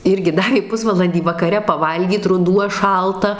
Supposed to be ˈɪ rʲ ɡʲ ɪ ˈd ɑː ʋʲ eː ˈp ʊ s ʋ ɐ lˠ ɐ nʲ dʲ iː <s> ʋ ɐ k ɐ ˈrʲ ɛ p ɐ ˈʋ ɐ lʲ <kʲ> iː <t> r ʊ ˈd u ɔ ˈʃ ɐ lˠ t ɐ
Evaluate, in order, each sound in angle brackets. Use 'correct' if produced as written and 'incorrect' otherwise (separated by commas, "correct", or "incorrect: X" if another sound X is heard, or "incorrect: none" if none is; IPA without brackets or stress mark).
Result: incorrect: none, incorrect: ɡʲ, correct